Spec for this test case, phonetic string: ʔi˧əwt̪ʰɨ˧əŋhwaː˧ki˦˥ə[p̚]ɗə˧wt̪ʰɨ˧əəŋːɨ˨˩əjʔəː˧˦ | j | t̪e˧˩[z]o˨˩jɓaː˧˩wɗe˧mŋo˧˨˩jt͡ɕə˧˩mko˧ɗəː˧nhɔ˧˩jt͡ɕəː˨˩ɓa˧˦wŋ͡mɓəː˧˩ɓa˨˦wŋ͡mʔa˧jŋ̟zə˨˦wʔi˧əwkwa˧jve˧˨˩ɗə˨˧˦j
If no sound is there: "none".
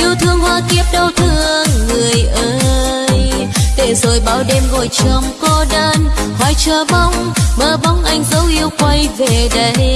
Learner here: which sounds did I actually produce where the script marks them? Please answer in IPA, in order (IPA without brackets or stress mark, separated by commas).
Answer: p̚, z